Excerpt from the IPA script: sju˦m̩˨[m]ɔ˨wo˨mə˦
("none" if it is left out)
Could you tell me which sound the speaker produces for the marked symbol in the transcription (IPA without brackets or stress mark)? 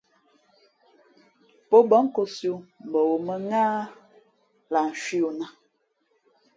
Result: b